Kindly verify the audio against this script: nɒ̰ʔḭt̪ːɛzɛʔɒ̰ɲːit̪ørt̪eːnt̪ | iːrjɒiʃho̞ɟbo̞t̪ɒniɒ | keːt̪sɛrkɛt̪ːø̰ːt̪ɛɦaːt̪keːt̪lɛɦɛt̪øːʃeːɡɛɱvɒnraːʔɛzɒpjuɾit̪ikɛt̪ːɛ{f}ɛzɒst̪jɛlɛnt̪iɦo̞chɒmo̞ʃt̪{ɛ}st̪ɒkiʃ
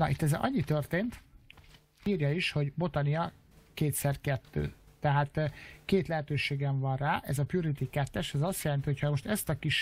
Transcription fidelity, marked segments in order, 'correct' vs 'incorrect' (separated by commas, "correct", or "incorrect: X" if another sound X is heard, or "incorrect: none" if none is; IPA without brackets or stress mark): incorrect: ʃ, correct